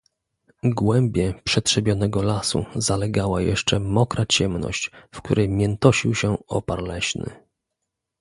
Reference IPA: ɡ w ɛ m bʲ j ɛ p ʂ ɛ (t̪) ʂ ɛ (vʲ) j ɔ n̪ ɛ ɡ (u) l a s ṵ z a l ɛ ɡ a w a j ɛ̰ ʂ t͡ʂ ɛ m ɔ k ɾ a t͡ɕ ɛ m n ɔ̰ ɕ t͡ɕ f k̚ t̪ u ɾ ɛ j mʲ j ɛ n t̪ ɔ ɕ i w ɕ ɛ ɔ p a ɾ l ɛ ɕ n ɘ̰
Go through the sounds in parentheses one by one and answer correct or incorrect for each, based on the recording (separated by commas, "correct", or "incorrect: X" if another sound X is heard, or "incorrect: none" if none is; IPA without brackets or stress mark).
correct, incorrect: bʲ, incorrect: ɔ